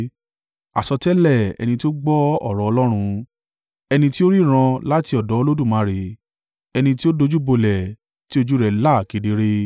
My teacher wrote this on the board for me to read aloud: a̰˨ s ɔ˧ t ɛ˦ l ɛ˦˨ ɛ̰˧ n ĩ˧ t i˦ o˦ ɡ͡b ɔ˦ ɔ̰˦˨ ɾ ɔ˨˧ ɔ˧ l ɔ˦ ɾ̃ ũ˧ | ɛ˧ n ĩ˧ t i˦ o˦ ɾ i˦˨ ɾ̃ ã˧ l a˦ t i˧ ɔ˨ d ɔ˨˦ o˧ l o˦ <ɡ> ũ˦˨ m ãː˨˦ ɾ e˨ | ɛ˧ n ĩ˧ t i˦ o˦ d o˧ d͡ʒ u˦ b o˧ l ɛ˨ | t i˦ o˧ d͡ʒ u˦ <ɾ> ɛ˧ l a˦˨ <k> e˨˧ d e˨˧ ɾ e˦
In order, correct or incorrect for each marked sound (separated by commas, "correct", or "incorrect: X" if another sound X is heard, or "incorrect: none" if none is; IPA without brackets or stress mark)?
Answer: incorrect: d, correct, correct